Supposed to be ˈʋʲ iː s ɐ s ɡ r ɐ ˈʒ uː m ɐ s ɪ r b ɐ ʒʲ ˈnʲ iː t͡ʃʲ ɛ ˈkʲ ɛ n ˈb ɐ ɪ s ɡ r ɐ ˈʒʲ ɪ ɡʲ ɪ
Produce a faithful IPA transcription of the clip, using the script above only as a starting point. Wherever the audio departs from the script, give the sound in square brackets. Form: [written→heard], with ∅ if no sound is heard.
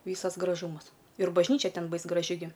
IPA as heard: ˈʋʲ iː s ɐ s ɡ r ɐ ˈʒ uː m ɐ s ɪ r b ɐ ʒʲ ˈnʲ iː t͡ʃʲ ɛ [ˈkʲ→ˈtʲ] ɛ n ˈb ɐ ɪ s ɡ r ɐ ˈʒʲ ɪ ɡʲ ɪ

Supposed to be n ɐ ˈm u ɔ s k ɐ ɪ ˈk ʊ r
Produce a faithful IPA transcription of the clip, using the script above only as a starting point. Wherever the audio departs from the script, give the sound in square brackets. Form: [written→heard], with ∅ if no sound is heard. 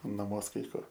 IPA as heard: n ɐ ˈm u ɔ s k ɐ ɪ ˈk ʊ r

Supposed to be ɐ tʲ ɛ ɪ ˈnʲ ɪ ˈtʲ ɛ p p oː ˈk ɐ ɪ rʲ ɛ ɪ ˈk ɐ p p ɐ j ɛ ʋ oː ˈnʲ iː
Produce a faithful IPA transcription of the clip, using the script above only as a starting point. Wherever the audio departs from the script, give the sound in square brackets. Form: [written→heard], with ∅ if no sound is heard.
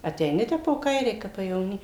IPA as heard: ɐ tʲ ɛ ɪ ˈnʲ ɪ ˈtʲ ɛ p p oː ˈk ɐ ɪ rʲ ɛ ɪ ˈk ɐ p p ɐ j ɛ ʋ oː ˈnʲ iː

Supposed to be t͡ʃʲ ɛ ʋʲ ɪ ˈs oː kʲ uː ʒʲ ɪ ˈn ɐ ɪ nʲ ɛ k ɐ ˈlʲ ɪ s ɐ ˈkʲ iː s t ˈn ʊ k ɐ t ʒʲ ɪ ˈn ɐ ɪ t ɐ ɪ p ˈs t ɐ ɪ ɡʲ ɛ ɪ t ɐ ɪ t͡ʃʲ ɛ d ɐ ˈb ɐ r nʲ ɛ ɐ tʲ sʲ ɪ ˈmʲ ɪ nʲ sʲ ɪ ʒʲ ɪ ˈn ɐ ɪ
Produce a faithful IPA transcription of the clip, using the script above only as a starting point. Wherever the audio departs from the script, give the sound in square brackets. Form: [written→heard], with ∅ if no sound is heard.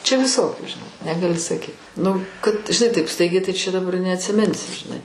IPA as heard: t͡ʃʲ ɛ ʋʲ ɪ ˈs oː kʲ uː ʒʲ ɪ ˈn ɐ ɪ nʲ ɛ [k→ɡ] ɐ ˈlʲ ɪ s ɐ ˈkʲ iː [s→∅] t ˈn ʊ k ɐ t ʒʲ ɪ ˈn ɐ ɪ t ɐ ɪ p ˈs t ɐ ɪ ɡʲ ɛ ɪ t ɐ ɪ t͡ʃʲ ɛ d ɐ ˈb ɐ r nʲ ɛ ɐ tʲ sʲ ɪ ˈmʲ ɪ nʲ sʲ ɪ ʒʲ ɪ ˈn ɐ ɪ

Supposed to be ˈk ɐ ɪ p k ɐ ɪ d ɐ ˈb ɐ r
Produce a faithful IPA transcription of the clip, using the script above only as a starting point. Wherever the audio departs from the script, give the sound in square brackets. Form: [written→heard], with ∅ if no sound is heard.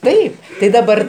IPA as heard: [ˈk→ˈt] ɐ ɪ p [k→t] ɐ ɪ d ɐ ˈb ɐ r

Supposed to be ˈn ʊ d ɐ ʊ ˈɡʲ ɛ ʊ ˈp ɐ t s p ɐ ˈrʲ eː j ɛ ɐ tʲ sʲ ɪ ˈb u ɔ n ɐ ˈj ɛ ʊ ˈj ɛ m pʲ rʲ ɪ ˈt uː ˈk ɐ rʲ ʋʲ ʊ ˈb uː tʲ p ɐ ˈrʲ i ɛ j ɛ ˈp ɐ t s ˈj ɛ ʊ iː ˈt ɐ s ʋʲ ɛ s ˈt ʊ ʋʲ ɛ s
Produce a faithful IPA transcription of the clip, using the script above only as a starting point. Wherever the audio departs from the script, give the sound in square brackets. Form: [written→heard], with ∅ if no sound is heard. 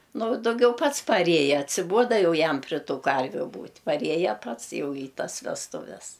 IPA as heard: ˈn ʊ d ɐ ʊ ˈɡʲ ɛ ʊ ˈp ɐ t s p ɐ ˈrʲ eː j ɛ ɐ tʲ sʲ ɪ ˈb u ɔ [n→d] ɐ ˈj ɛ ʊ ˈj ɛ m pʲ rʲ ɪ ˈt uː ˈk ɐ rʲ ʋʲ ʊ ˈb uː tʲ p ɐ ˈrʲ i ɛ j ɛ ˈp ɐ t s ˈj ɛ ʊ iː ˈt ɐ s ʋʲ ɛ s ˈt ʊ ʋʲ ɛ s

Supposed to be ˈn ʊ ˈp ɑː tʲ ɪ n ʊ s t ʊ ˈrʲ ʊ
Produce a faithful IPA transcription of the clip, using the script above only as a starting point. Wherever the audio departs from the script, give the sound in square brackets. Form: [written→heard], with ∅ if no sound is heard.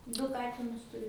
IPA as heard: [ˈn→ˈd] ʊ [ˈp→ˈk] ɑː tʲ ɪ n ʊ s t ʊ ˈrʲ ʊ

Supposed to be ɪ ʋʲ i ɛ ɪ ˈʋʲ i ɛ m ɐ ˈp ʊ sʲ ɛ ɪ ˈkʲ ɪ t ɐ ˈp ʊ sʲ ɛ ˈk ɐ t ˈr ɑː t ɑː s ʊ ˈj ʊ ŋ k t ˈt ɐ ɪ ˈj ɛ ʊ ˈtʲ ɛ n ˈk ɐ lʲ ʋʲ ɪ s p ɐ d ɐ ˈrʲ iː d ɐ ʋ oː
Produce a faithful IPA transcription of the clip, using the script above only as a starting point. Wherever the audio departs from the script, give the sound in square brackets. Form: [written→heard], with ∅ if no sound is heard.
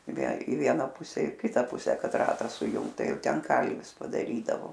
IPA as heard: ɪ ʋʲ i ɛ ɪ ˈʋʲ i ɛ [m→n] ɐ ˈp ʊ sʲ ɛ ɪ ˈkʲ ɪ t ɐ ˈp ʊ sʲ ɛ ˈk ɐ t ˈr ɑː t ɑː s ʊ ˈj ʊ ŋ k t ˈt ɐ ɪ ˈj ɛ ʊ ˈtʲ ɛ n ˈk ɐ lʲ ʋʲ ɪ s p ɐ d ɐ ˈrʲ iː d ɐ ʋ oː

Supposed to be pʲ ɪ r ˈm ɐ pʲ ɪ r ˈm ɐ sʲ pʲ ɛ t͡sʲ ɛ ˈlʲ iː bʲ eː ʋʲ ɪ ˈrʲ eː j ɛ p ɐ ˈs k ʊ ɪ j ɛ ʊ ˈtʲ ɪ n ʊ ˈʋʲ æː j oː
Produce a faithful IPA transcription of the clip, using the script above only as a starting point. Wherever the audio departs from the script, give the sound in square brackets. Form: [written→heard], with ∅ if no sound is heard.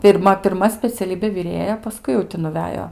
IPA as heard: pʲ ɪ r ˈm ɐ pʲ ɪ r ˈm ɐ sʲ pʲ ɛ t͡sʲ ɛ ˈlʲ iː bʲ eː ʋʲ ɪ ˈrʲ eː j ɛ p ɐ ˈs k ʊ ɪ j ɛ ʊ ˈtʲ ɪ n ʊ ˈʋʲ æː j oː

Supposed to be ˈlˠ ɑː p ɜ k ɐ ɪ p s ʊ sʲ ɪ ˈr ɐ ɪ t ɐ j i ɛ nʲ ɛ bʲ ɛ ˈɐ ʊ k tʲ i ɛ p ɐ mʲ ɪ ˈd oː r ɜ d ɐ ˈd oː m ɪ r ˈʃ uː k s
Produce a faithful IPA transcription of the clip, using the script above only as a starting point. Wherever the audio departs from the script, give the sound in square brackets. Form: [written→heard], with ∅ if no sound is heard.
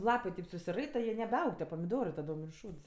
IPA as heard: ˈlˠ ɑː p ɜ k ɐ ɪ p s ʊ sʲ ɪ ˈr ɐ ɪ t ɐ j i ɛ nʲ ɛ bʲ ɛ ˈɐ ʊ k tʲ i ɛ p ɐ mʲ ɪ ˈd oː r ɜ [d→t] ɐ ˈd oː m ɪ r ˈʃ uː [k→t] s

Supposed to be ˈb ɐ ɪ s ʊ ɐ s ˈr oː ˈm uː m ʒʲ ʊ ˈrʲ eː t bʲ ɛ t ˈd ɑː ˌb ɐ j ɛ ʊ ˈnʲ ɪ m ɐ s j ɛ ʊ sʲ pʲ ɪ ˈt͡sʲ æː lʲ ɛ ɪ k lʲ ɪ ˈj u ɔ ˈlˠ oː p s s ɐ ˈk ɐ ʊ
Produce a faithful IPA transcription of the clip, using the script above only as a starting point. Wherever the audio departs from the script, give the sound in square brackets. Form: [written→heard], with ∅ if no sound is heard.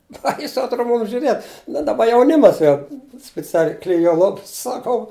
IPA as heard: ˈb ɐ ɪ s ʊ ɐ [s→t] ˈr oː ˈm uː m ʒʲ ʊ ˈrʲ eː t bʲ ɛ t ˈd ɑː ˌb ɐ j ɛ ʊ ˈnʲ ɪ m ɐ s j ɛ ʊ sʲ pʲ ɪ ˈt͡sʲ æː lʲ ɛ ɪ k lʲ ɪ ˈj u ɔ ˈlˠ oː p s s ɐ ˈk ɐ ʊ

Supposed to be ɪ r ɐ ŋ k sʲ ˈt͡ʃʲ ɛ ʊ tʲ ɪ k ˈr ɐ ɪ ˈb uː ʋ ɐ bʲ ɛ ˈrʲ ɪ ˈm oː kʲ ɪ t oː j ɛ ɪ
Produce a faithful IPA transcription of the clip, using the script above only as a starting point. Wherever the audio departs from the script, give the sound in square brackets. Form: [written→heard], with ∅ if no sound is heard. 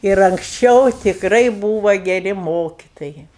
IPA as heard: ɪ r ɐ ŋ k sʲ ˈt͡ʃʲ ɛ ʊ tʲ ɪ k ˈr ɐ ɪ ˈb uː ʋ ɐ [bʲ→ɡʲ] ɛ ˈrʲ ɪ ˈm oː kʲ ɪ t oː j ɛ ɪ

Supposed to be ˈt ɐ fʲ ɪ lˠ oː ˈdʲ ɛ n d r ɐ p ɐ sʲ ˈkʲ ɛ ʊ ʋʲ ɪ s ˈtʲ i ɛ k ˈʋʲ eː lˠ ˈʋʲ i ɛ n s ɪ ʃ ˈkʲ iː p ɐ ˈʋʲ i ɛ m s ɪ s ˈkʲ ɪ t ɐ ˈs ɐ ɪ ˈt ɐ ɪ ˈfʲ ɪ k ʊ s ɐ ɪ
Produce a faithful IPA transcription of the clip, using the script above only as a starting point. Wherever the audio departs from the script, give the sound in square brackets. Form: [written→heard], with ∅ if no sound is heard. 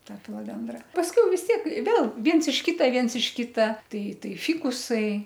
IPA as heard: ˈt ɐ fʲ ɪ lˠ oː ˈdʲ ɛ n d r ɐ p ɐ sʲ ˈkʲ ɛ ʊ ʋʲ ɪ s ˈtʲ i ɛ k ˈʋʲ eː lˠ ˈʋʲ i ɛ n s ɪ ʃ ˈkʲ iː [p→t] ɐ ˈʋʲ i ɛ [m→n] s ɪ [s→ʃ] ˈkʲ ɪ t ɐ [ˈs→ˈt] ɐ ɪ ˈt ɐ ɪ ˈfʲ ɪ k ʊ s ɐ ɪ

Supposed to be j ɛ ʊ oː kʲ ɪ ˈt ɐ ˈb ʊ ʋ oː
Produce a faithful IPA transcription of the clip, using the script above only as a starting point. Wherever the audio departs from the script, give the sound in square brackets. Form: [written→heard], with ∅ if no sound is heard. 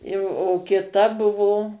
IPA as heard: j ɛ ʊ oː kʲ ɪ ˈt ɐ ˈb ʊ ʋ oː

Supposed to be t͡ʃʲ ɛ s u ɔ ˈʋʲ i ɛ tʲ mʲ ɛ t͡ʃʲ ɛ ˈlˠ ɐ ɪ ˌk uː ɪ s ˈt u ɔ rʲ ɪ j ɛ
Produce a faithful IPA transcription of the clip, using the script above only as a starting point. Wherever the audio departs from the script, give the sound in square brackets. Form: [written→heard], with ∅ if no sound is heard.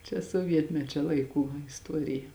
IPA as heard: t͡ʃʲ ɛ s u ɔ ˈʋʲ i ɛ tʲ mʲ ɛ t͡ʃʲ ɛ ˈlˠ ɐ ɪ ˌk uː ɪ s ˈt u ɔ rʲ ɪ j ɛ

